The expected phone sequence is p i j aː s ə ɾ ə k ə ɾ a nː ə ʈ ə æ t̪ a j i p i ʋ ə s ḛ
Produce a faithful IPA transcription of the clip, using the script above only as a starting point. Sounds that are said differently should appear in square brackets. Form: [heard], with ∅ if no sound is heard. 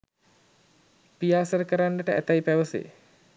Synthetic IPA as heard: p i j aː s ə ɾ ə k ə ɾ a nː ə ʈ ə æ t̪ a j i p [æ] ʋ ə s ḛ